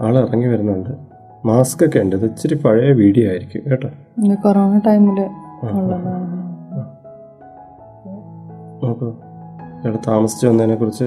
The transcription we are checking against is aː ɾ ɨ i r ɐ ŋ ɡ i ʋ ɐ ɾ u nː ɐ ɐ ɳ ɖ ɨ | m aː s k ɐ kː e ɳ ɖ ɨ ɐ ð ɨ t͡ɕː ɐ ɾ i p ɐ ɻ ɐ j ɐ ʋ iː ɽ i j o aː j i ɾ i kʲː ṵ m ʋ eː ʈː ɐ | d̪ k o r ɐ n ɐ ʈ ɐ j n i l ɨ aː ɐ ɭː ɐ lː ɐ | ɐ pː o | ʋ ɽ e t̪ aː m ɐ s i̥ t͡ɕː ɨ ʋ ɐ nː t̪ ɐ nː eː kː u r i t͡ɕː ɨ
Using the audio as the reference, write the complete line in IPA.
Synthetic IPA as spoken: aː ɭ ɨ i r ɐ ŋ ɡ i ʋ ɐ ɾ u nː ɐ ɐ ɳ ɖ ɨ | m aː s k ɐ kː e ɳ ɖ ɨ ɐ ð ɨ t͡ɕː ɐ ɾ i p ɐ ɻ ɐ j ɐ ʋ iː ɽ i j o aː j i ɾ i kʲː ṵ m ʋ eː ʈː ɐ | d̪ k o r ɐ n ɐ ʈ ɐ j m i l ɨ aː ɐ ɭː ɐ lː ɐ | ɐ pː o | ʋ ɽ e t̪ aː m ɐ s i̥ t͡ɕː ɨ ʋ ɐ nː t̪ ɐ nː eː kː u r i t͡ɕː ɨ